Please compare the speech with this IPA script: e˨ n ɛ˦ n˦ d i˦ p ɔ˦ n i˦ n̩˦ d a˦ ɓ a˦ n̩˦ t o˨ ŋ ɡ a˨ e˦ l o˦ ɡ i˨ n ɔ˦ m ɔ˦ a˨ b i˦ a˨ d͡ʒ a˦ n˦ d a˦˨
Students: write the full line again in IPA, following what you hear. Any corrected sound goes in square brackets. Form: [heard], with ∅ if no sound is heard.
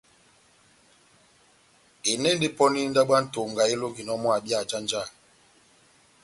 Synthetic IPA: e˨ n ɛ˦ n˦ d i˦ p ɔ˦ n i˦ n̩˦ d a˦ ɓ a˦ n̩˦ t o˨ ŋ ɡ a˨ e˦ l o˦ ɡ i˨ n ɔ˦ m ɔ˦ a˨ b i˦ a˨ d͡ʒ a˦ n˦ [d͡ʒ] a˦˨